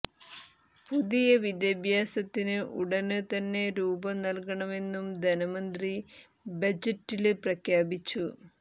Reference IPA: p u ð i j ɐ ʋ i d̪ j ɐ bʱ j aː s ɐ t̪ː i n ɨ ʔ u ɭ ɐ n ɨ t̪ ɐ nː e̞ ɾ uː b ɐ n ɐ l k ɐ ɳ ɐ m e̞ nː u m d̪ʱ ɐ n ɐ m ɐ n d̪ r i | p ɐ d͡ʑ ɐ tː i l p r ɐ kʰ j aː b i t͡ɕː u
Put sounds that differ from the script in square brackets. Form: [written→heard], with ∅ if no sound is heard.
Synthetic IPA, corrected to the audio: p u ð i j ɐ ʋ i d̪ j ɐ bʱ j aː s ɐ t̪ː i n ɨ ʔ u [ɭ→ɽ] ɐ n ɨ t̪ ɐ nː e̞ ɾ uː b ɐ n ɐ l k ɐ ɳ ɐ m e̞ nː u m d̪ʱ ɐ n ɐ m ɐ n d̪ r i | [p→b] ɐ d͡ʑ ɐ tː i l p r ɐ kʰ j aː b i t͡ɕː u